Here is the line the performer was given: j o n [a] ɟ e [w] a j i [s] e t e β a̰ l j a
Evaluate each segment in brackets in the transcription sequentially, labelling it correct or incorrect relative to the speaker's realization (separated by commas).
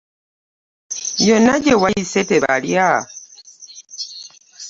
correct, correct, correct